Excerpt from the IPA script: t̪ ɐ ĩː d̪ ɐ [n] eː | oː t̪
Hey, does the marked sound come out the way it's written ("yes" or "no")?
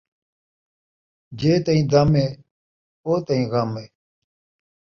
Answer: no